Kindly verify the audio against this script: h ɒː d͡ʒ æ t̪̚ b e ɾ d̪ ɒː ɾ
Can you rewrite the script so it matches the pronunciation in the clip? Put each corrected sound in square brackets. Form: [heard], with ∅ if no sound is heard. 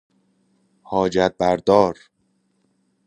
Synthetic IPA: h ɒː d͡ʒ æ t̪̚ b [æ] ɾ d̪ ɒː ɾ